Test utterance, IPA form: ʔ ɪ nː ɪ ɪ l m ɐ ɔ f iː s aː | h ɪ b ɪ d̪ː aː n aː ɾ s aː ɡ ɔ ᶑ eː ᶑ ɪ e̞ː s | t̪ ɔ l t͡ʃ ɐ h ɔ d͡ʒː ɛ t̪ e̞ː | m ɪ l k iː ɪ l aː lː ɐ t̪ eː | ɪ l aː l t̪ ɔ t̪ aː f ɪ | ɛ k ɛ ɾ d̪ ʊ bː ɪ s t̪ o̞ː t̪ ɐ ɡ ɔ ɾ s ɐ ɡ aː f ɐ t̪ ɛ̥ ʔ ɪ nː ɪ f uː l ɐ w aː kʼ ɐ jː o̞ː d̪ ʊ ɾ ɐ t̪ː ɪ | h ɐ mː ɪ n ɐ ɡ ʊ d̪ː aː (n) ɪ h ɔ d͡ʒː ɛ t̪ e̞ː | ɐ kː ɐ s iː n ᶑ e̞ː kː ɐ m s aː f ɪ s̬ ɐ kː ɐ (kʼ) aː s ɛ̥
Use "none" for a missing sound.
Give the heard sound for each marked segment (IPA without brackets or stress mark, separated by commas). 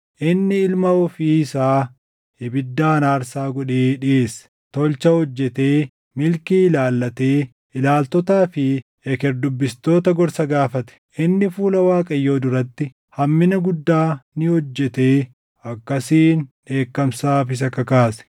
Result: n, k